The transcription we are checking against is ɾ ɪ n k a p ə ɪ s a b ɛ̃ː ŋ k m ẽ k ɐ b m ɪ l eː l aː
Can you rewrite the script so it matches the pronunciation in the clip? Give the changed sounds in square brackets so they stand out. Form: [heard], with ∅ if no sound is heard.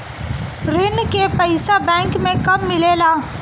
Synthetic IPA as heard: ɾ ɪ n k [e] p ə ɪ s a b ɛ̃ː ŋ k m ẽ k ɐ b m ɪ l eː l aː